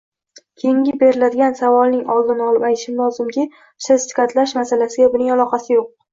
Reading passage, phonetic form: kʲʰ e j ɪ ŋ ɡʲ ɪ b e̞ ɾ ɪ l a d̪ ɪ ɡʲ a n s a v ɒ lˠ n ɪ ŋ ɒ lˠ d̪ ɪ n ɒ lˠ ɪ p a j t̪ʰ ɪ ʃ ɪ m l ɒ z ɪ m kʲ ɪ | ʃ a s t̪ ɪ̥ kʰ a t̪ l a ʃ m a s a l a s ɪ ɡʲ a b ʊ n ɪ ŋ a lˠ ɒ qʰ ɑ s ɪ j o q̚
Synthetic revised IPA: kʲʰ e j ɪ ŋ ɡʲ ɪ b e̞ ɾ ɪ l a d̪ ɪ ɡʲ a n s a v ɒ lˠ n ɪ ŋ ɒ lˠ d̪ ɪ n ɒ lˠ ɪ p a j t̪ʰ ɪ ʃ ɪ m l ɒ z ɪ m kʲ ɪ | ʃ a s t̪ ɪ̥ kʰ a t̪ l a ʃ m a s a l a s ɪ ɡʲ a b ʊ n ɪ ŋ a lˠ ɒ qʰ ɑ s ɪ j o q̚